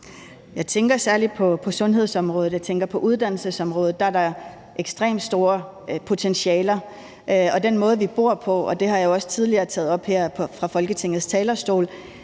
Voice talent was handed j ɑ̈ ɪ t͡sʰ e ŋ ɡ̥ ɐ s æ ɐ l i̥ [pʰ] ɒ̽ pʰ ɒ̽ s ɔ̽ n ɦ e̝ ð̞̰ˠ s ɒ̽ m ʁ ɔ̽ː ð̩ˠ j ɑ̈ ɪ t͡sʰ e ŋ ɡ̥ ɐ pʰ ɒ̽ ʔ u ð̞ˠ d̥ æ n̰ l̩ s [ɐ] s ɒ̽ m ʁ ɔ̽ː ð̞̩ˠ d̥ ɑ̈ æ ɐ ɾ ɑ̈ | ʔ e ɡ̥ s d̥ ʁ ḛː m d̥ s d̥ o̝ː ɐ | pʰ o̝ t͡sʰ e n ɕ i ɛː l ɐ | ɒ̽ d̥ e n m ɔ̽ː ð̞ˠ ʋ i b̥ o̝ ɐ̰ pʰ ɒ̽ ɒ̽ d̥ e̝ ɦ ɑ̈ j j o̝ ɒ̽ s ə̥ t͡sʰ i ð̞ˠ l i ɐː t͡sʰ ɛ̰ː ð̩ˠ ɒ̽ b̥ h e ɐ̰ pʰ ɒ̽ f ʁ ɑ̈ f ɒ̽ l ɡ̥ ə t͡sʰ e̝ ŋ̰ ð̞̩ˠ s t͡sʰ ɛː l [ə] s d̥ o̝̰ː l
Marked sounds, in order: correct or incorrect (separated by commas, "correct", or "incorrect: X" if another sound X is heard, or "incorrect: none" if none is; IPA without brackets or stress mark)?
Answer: correct, incorrect: ə, incorrect: ɐ